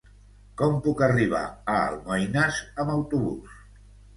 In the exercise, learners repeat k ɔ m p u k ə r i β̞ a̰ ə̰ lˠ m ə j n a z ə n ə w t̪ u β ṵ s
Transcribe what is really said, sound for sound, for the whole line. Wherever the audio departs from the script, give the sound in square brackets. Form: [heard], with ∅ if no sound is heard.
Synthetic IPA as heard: k ɔ m p u k ə r i β̞ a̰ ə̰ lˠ m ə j n a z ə [m] ə w t̪ u β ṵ s